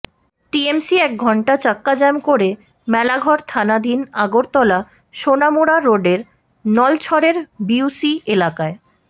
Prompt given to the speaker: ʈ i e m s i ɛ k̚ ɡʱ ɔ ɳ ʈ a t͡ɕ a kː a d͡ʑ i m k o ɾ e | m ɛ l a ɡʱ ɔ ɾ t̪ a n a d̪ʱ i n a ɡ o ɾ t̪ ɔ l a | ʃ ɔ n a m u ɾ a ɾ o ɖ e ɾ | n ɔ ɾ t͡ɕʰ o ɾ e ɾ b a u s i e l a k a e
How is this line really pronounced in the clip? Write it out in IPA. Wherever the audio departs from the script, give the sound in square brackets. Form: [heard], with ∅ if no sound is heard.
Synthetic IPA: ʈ i e m s i ɛ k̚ ɡʱ ɔ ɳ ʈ a t͡ɕ a kː a d͡ʑ [ɛ] m k o ɾ e | m ɛ l a ɡʱ ɔ ɾ [t̪ʰ] a n a d̪ʱ i n a ɡ o ɾ t̪ ɔ l a | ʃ [o] n a m u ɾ a ɾ o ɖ e ɾ | n ɔ [l] t͡ɕʰ [ɔ] ɾ e ɾ b [i] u s i e l a k a e